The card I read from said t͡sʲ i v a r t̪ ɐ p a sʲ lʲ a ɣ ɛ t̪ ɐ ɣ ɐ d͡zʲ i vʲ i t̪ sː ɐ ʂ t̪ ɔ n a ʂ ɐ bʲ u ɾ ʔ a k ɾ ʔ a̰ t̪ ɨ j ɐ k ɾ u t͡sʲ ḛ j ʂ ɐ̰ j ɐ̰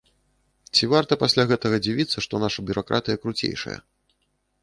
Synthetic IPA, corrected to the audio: t͡sʲ i v a r t̪ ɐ p a sʲ lʲ a ɣ ɛ t̪ ɐ ɣ ɐ d͡zʲ i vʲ i t̪ sː ɐ ʂ t̪ ɔ n a ʂ ɐ bʲ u ɾ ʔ a k ɾ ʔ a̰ t̪ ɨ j ɐ k ɾ u t͡sʲ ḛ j ʂ ɐ̰ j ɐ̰